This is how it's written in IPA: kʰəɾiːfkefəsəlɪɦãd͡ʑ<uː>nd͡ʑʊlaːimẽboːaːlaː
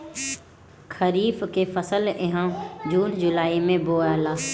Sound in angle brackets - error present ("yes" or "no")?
no